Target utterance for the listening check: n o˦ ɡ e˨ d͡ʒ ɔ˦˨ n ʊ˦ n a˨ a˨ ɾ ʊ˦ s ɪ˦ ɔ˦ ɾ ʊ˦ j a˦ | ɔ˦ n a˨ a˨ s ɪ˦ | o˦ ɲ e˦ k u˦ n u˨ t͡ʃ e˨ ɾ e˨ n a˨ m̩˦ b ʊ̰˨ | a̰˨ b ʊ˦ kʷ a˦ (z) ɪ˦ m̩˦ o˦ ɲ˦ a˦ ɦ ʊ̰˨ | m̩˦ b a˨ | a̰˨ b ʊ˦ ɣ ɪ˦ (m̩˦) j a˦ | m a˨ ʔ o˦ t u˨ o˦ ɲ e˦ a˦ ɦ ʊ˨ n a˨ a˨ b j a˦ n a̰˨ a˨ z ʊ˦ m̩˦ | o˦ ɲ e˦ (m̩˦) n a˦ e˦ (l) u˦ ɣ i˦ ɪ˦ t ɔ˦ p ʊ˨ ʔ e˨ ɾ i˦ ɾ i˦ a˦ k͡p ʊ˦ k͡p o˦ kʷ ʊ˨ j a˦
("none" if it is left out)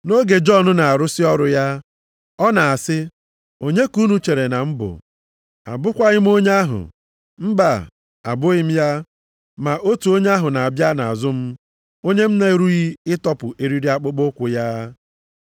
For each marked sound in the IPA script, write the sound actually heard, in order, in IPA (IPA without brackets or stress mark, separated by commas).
ɣ, m̩˦, m̩˦, ɾ